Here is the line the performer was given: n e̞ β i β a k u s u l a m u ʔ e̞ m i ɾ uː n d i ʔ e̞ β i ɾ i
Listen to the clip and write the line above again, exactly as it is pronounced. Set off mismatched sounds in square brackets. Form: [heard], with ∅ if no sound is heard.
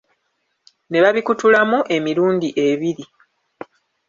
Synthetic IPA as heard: n e̞ β [a] β [i] k u [t] u l a m u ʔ e̞ m i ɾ uː n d i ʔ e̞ β i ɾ i